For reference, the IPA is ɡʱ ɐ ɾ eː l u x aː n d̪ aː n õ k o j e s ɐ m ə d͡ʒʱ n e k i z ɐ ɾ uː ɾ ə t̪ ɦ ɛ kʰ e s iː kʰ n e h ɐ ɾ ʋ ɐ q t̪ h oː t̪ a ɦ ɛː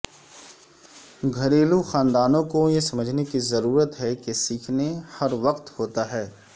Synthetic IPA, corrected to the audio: ɡʱ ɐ ɾ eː l u x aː n d̪ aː n õ k o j e s ɐ m ə d͡ʒʱ n e k i z ɐ ɾ uː ɾ ə t̪ ɦ ɛ k e s iː kʰ n e h ɐ ɾ ʋ ɐ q t̪ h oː t̪ a ɦ ɛː